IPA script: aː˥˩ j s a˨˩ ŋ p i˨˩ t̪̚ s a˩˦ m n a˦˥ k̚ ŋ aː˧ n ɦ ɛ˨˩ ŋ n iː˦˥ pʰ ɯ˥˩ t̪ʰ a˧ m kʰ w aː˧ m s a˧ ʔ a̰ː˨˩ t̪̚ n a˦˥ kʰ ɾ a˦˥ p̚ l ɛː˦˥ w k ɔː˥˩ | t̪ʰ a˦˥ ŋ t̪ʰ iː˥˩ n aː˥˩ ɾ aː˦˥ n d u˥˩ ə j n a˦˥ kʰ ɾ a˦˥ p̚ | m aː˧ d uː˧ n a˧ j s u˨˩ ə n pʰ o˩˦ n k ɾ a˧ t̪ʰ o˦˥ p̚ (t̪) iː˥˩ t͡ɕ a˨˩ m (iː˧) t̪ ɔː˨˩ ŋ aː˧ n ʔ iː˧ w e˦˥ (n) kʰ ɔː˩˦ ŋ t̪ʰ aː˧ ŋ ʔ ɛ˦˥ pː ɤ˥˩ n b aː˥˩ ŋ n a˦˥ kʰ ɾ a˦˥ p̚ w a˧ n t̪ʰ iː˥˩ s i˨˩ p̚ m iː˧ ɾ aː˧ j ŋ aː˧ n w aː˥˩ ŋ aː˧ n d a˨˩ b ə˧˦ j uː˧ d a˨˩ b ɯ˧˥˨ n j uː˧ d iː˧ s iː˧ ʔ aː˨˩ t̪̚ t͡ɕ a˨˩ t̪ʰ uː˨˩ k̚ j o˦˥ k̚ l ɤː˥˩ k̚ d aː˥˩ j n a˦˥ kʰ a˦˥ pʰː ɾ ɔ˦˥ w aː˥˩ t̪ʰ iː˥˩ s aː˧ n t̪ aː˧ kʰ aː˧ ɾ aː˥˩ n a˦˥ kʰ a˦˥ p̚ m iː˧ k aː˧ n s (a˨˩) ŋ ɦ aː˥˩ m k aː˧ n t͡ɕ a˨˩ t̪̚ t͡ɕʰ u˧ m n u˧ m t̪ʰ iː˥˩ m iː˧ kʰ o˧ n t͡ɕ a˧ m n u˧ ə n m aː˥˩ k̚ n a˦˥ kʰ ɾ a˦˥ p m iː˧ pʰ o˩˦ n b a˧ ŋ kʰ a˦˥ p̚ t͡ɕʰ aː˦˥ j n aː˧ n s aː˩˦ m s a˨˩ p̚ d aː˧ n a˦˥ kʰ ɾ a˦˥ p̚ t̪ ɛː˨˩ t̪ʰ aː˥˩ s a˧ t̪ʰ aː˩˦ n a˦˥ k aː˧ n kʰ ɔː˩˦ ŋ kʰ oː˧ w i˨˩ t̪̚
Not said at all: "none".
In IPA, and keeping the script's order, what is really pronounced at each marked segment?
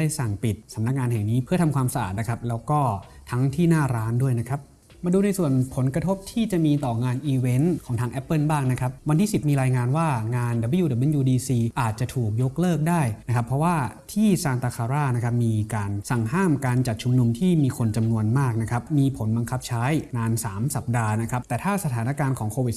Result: t̪ʰ, iː˧, n, a˨˩

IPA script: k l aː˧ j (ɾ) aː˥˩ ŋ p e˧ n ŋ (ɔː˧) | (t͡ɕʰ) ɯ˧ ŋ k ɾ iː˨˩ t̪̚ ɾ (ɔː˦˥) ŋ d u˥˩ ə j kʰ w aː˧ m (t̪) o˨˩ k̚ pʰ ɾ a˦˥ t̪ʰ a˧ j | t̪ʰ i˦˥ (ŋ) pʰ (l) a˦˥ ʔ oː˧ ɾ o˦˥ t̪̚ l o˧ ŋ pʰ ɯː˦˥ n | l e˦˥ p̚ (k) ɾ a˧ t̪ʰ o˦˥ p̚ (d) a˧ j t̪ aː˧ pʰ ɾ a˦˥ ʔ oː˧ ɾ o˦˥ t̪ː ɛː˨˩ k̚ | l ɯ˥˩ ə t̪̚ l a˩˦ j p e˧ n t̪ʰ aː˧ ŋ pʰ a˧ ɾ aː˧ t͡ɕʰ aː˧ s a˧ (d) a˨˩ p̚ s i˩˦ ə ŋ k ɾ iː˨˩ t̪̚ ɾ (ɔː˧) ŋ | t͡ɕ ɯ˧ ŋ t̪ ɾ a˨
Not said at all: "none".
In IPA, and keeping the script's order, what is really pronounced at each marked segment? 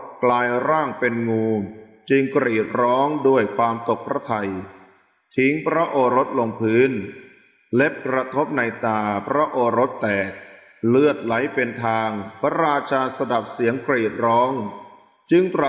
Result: ɾ, uː˧, t͡ɕ, ɔː˦˥, t̪, ŋ, ɾ, k, n, d, ɔː˦˥

